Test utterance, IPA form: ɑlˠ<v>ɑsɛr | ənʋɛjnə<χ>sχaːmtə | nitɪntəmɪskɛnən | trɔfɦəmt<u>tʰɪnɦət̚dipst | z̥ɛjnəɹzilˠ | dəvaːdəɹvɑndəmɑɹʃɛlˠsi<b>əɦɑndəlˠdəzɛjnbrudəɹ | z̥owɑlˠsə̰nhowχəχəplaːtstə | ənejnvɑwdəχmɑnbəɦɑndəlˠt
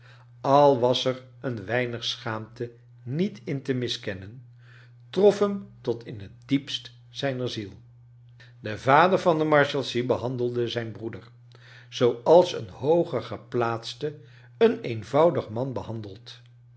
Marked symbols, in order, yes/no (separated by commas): no, yes, no, yes